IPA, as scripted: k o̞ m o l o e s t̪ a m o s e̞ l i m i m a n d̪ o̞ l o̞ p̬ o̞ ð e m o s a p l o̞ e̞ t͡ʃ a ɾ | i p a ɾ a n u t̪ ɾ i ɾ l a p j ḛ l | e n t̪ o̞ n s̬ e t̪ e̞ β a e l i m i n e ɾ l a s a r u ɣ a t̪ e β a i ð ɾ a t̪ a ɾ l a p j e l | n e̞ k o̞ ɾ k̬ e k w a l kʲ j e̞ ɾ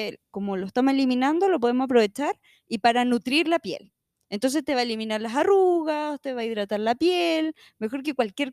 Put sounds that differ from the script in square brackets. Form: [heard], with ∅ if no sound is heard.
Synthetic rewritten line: k o̞ m o l o e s t̪ a m o s e̞ l i m i [n] a n d̪ o̞ l o̞ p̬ o̞ ð e m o s a p [ɾ] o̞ e̞ t͡ʃ a ɾ | i p a ɾ a n u t̪ ɾ i ɾ l a p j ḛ l | e n t̪ o̞ n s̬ e t̪ e̞ β a e l i m i n [a] ɾ l a s a r u ɣ a t̪ e β a i ð ɾ a t̪ a ɾ l a p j e l | [m] e̞ [x] o̞ ɾ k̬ e k w a l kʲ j e̞ ɾ